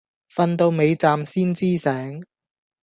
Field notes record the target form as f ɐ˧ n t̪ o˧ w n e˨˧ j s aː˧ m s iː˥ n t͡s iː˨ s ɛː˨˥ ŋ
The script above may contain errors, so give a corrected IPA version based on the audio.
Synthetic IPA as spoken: f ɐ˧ n t̪ o˧ w m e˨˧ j t͡s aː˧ m s iː˥ n t͡s iː˥ s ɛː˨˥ ŋ